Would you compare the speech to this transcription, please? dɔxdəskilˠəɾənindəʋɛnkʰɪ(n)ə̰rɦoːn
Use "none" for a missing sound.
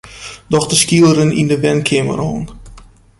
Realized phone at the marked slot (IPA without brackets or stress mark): m